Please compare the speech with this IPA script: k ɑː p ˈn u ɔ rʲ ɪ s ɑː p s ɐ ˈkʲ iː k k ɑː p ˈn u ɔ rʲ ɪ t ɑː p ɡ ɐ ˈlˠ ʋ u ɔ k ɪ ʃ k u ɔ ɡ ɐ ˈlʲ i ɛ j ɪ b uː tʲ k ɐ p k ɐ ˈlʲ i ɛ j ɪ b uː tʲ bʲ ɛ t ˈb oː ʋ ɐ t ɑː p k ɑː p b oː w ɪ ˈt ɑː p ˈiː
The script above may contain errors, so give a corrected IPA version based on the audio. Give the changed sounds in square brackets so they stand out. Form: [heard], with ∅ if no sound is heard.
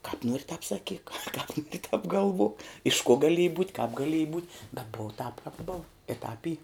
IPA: k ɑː p ˈn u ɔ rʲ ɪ [t] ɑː p s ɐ ˈkʲ iː k k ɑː p ˈn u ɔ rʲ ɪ t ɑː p ɡ ɐ ˈlˠ ʋ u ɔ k ɪ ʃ k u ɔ ɡ ɐ ˈlʲ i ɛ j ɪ b uː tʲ k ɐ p [ɡ] ɐ ˈlʲ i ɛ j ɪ b uː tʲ bʲ ɛ t ˈb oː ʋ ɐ t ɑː p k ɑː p b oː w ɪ ˈt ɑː p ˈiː